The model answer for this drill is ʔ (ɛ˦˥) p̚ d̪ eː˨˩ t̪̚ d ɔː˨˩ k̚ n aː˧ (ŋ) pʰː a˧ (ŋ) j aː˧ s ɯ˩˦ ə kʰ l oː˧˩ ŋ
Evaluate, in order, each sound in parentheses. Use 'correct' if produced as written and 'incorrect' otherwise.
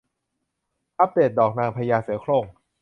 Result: incorrect, correct, incorrect

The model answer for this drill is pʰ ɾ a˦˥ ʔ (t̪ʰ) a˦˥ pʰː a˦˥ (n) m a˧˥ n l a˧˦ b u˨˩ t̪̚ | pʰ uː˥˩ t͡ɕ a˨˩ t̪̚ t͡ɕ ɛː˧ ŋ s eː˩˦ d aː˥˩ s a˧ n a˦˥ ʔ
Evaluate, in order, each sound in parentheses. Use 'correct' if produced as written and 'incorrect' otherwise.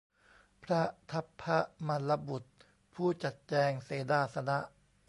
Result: correct, incorrect

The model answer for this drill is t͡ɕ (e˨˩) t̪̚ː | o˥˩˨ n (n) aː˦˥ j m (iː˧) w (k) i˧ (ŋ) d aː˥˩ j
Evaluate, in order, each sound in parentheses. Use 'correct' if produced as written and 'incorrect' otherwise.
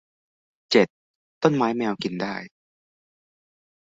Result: correct, incorrect, incorrect, correct, incorrect

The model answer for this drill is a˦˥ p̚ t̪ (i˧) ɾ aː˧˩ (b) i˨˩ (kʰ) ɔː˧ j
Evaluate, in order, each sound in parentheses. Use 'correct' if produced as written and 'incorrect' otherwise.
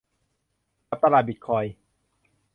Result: incorrect, correct, correct

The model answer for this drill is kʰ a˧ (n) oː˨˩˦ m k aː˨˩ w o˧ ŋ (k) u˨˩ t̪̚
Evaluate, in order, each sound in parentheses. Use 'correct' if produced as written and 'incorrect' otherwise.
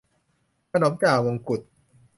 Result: correct, correct

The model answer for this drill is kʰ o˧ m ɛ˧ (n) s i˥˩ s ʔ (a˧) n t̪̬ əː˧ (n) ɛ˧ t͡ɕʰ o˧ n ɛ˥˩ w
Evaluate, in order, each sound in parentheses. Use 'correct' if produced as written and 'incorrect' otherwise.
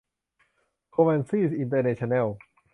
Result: correct, incorrect, correct

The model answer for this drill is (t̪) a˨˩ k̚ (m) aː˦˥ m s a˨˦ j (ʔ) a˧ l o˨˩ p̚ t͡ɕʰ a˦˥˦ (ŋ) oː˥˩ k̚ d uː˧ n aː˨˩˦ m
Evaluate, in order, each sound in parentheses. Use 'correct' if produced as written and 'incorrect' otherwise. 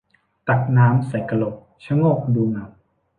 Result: correct, incorrect, incorrect, correct

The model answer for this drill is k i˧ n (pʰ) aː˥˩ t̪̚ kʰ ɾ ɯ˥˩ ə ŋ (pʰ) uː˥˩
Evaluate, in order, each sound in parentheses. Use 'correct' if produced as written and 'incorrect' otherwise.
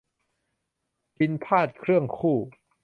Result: correct, incorrect

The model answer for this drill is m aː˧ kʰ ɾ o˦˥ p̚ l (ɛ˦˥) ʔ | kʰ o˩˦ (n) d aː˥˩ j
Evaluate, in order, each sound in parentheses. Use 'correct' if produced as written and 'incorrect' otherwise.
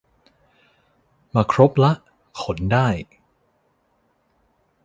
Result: incorrect, correct

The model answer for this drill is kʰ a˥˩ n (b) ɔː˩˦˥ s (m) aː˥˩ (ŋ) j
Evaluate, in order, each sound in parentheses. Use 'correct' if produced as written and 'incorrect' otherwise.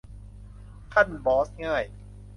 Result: correct, incorrect, incorrect

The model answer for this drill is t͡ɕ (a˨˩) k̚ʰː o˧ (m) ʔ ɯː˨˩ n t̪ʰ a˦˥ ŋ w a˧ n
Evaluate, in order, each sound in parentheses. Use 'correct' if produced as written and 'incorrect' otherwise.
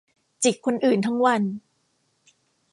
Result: incorrect, incorrect

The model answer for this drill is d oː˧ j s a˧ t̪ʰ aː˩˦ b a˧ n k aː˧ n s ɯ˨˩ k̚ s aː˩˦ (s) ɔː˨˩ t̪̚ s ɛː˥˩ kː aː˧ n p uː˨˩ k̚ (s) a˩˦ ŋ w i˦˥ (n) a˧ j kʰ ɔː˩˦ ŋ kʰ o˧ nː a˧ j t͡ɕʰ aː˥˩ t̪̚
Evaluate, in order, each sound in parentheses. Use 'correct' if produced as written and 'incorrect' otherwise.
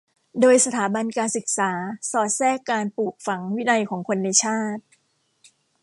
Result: correct, incorrect, correct

